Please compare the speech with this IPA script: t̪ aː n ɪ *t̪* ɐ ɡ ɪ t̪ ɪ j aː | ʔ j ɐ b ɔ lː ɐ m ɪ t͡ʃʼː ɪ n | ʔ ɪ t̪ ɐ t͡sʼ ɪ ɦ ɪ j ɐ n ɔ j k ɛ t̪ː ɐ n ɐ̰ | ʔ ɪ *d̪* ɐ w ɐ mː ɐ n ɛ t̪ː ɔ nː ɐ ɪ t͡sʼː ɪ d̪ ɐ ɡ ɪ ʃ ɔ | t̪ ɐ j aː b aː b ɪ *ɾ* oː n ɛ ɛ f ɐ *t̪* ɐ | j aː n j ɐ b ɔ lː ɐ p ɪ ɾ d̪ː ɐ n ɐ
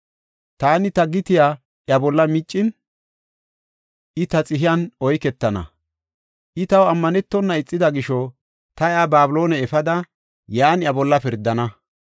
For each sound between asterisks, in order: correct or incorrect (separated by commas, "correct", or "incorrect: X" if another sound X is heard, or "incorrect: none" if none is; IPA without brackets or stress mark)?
correct, incorrect: t̪, incorrect: l, incorrect: d̪